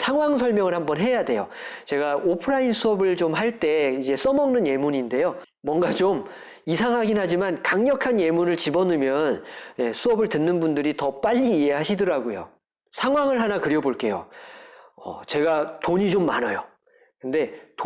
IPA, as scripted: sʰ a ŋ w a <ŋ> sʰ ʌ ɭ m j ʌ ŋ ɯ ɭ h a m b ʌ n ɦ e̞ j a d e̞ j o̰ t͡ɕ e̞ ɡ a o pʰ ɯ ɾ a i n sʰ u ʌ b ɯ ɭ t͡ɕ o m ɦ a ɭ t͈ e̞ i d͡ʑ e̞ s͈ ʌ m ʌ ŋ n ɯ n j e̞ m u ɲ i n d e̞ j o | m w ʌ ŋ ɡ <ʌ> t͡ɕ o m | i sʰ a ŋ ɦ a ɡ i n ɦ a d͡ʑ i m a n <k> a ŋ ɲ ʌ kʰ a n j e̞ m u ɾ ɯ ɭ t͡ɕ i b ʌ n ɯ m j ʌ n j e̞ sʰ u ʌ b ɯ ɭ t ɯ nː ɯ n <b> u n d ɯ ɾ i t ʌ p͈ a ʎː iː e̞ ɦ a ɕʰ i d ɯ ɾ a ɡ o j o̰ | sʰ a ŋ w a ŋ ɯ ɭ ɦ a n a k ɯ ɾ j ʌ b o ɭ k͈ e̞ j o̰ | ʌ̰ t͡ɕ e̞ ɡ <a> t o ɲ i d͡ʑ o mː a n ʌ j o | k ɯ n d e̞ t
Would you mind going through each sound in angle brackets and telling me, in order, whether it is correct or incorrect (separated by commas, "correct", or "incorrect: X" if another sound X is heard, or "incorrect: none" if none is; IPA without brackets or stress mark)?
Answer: correct, incorrect: a, correct, correct, correct